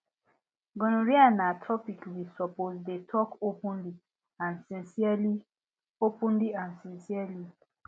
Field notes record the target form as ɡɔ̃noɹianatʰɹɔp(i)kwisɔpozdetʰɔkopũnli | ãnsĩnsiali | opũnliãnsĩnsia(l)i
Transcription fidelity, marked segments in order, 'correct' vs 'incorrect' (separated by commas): correct, correct